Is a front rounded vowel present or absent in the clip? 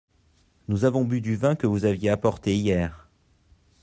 present